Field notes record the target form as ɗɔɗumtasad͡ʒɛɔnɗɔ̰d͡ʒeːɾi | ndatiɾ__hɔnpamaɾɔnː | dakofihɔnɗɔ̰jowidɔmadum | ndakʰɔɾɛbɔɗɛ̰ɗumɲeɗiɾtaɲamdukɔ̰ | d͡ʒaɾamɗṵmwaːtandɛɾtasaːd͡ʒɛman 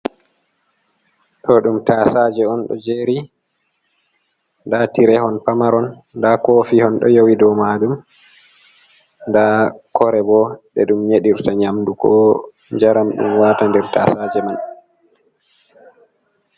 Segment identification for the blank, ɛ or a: ɛ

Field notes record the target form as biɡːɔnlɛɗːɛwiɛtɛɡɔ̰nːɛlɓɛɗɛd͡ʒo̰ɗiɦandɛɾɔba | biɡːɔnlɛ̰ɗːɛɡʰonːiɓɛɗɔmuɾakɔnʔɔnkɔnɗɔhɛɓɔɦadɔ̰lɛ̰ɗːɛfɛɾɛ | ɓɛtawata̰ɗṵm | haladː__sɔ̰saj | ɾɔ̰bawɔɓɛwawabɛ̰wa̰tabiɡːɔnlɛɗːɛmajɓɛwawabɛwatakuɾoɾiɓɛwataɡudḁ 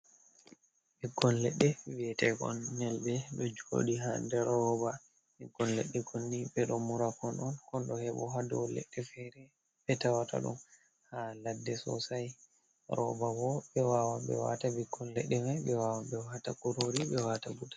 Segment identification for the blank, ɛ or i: ɛ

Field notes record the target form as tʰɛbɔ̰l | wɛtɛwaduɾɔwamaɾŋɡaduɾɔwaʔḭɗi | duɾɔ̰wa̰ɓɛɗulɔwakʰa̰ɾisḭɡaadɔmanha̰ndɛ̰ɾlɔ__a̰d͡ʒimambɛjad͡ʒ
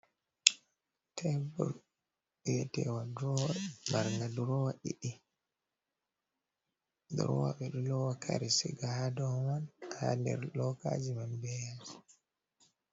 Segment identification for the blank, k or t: k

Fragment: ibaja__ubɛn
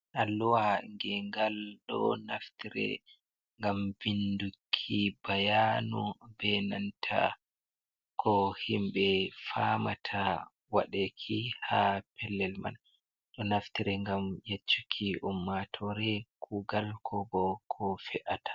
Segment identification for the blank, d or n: n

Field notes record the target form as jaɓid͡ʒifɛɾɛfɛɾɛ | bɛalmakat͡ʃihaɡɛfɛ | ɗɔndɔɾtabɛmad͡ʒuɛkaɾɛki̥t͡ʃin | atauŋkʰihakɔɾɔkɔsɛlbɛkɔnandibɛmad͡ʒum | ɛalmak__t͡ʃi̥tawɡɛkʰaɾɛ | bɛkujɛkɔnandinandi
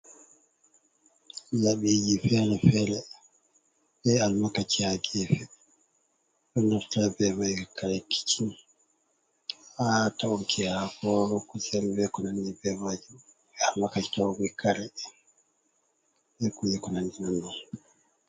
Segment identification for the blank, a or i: a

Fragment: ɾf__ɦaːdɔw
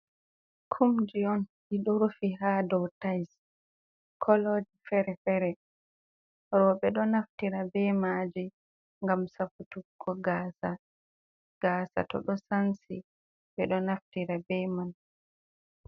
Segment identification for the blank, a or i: i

